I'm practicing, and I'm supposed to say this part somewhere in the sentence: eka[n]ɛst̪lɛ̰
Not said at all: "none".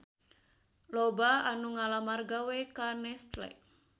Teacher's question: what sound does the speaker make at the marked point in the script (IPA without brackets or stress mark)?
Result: n